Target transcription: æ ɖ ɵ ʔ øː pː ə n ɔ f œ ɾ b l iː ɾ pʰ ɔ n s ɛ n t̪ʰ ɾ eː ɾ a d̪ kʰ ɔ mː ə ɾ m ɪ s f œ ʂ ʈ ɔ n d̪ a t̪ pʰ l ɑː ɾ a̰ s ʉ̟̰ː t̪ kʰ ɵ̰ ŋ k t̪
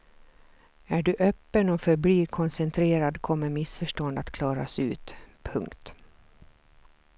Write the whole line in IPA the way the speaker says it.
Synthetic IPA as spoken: æ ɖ ɵ ʔ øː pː ə n ɔ f œ ɾ b l iː ɾ kʰ ɔ n s ɛ n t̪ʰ ɾ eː ɾ a d̪ kʰ ɔ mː ə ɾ m ɪ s f œ ʂ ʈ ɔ n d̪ a t̪ kʰ l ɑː ɾ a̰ s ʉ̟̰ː t̪ pʰ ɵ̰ ŋ k t̪